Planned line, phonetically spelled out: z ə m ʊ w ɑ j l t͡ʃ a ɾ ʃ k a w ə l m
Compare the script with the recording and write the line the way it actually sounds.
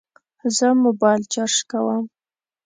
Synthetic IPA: z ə m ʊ b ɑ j l t͡ʃ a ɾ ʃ k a w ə m